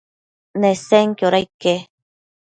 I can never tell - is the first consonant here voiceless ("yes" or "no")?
no